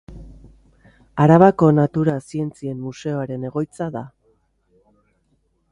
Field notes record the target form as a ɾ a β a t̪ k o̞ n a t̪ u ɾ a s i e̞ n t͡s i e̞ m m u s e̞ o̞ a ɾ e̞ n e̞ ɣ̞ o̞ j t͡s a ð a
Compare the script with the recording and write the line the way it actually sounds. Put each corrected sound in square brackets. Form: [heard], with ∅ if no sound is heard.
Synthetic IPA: a ɾ a β a [∅] k o̞ n a t̪ u ɾ a s i e̞ n t͡s i e̞ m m u s e̞ o̞ a ɾ e̞ n e̞ ɣ̞ o̞ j t͡s a ð a